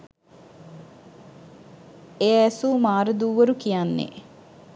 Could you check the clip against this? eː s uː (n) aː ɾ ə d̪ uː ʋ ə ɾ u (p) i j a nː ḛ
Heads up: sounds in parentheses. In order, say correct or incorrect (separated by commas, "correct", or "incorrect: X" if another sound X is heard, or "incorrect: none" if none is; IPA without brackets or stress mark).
incorrect: m, incorrect: k